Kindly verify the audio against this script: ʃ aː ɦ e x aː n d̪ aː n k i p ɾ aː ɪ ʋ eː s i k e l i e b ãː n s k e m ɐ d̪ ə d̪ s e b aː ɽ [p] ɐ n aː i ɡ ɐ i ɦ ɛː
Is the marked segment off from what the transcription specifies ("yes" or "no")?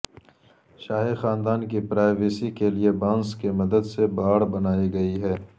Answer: yes